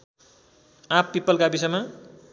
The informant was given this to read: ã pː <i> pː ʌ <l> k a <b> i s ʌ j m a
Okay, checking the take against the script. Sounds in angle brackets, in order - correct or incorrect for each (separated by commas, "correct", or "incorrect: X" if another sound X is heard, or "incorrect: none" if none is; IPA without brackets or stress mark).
correct, correct, correct